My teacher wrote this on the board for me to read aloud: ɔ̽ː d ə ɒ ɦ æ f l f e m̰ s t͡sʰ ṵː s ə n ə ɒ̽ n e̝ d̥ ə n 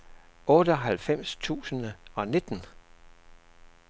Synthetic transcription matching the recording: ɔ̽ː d ə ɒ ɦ æ l f e m̰ s t͡sʰ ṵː s ə n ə ɒ̽ n e̝ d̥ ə n